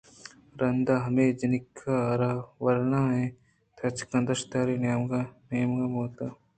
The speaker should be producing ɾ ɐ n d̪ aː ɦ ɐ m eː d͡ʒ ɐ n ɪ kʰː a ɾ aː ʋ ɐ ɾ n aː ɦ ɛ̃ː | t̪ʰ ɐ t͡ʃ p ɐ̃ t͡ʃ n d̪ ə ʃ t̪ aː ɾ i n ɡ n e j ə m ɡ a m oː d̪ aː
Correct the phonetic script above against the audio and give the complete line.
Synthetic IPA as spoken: ɾ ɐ n d̪ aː ɦ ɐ m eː d͡ʒ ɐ n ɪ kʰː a ɾ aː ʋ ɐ ɾ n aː ɦ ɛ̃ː | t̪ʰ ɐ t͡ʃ k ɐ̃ n d̪ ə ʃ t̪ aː ɾ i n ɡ n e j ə m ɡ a m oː t̪ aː